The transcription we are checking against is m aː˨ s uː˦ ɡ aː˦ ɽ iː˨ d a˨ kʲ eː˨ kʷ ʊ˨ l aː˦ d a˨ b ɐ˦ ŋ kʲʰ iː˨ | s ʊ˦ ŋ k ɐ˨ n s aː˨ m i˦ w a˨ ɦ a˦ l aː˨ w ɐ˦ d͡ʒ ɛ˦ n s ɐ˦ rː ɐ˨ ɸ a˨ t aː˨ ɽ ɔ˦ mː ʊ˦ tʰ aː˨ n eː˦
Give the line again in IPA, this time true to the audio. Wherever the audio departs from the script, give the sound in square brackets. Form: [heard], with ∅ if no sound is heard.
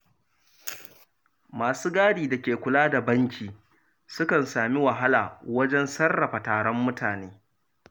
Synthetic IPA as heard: m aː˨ s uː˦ ɡ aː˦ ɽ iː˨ d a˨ kʲ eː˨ kʷ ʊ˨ l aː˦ d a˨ b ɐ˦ ŋ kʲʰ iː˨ | s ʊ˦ [∅] k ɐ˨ n s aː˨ m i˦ w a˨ ɦ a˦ l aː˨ w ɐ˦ d͡ʒ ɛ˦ n s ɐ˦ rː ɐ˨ ɸ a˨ t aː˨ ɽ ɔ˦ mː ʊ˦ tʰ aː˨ n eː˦